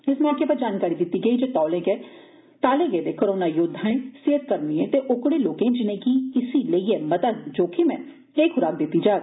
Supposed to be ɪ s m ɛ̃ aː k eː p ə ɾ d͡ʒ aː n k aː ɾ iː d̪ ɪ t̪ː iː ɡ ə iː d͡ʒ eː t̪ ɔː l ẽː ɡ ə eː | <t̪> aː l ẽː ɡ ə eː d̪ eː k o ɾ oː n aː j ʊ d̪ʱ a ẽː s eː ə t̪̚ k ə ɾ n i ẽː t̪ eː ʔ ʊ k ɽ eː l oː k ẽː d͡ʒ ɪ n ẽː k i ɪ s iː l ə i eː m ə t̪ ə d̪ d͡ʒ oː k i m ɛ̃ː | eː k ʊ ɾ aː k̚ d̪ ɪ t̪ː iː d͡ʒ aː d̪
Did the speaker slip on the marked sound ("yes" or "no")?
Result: no